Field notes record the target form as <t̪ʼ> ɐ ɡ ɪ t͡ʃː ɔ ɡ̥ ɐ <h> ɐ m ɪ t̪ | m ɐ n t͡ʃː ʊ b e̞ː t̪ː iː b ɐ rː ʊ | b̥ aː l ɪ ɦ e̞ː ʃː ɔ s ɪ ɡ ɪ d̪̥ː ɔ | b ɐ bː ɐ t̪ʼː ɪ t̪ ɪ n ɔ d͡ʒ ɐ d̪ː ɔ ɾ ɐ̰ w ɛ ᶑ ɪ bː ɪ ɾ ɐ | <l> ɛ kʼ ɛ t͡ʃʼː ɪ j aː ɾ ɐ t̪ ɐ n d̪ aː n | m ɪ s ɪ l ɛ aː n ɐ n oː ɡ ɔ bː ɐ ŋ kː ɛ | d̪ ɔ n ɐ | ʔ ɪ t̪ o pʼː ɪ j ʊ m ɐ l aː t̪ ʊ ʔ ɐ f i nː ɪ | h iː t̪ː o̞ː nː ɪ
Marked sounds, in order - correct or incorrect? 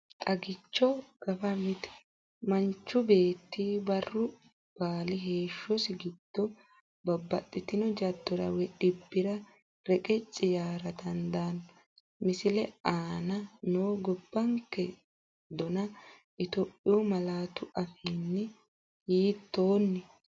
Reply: correct, incorrect, incorrect

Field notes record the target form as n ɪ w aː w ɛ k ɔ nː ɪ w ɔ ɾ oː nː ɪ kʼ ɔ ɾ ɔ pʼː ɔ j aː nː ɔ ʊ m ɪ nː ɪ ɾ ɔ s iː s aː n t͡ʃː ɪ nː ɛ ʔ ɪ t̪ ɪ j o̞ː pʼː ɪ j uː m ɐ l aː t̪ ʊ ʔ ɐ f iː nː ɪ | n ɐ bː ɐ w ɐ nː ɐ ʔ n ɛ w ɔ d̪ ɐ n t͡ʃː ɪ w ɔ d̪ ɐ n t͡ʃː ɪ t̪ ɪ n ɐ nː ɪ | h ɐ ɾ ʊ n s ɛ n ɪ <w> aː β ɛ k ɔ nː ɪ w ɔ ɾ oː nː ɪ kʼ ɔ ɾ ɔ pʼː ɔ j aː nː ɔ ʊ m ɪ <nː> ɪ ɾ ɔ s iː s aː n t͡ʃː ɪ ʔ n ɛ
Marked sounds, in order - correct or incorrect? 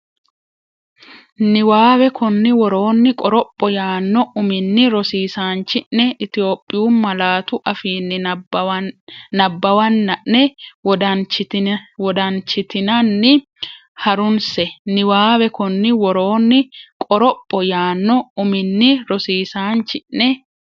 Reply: correct, correct

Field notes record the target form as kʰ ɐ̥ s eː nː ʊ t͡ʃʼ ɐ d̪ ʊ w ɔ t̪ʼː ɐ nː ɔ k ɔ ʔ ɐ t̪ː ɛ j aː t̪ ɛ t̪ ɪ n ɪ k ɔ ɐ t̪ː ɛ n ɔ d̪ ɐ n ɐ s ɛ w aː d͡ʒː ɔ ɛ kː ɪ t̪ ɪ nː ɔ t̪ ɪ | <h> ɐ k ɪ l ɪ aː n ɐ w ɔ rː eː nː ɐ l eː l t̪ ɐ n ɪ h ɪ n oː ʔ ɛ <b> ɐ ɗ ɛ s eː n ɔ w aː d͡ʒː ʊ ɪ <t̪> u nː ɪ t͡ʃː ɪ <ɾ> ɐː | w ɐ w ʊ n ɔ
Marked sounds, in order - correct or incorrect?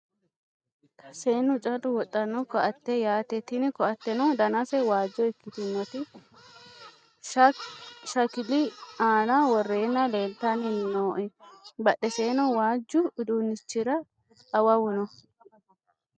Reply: incorrect, correct, incorrect, correct

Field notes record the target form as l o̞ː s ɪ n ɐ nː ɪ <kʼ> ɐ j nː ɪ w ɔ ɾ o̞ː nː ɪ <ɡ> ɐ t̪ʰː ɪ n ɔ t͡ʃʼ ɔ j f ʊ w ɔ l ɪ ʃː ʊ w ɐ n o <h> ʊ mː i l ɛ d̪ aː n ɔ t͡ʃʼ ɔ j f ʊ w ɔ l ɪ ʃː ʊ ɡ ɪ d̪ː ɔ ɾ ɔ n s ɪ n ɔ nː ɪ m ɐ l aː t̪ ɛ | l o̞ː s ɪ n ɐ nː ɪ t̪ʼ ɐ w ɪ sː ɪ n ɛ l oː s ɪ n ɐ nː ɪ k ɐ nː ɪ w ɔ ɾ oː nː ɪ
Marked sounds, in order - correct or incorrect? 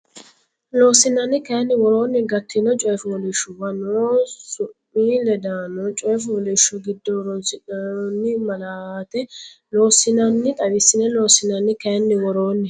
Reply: incorrect, correct, incorrect

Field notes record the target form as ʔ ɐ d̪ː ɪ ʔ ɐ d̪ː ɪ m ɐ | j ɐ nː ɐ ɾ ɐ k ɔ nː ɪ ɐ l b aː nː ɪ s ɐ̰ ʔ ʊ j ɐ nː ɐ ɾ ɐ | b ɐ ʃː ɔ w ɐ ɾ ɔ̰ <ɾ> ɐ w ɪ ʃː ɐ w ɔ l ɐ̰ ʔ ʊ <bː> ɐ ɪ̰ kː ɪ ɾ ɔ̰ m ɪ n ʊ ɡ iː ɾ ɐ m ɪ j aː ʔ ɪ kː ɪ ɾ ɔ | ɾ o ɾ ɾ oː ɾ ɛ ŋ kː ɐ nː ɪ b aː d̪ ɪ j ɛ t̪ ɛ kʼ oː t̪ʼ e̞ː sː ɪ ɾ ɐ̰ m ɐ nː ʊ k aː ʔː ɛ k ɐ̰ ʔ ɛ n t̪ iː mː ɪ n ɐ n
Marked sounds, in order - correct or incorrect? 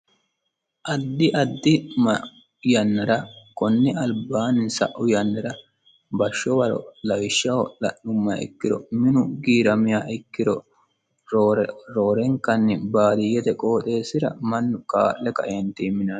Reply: incorrect, incorrect

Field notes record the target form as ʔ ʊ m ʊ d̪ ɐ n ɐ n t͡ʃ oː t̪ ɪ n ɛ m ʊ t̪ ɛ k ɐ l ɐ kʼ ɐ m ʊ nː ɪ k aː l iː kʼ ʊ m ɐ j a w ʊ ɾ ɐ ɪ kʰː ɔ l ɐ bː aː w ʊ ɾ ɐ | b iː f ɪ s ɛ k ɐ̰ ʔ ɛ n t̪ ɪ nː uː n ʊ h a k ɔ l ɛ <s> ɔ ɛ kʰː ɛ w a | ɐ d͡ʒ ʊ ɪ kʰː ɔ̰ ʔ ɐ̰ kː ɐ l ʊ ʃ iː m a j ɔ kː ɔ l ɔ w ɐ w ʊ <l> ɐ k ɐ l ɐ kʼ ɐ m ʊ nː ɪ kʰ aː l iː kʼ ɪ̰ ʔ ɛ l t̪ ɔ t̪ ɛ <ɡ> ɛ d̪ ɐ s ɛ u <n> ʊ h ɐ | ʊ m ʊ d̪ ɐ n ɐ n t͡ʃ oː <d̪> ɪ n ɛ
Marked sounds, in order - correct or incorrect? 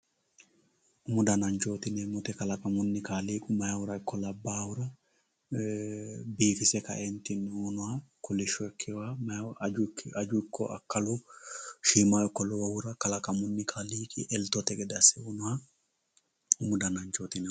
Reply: incorrect, incorrect, correct, correct, incorrect

